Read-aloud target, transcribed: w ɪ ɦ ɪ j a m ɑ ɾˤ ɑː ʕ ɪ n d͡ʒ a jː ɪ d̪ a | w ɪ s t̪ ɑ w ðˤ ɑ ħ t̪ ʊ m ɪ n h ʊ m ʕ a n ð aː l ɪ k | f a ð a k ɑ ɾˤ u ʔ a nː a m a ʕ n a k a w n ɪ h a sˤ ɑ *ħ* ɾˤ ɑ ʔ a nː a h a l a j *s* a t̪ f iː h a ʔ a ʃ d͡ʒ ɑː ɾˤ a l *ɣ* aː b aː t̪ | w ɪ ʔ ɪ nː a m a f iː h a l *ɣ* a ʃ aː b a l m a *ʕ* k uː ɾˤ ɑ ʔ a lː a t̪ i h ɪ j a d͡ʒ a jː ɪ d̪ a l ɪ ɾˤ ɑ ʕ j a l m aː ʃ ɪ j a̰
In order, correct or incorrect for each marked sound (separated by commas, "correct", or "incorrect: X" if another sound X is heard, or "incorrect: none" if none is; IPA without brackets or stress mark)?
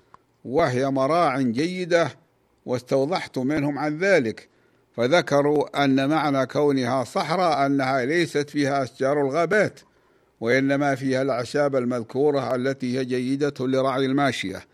correct, correct, correct, incorrect: ʕ, incorrect: ð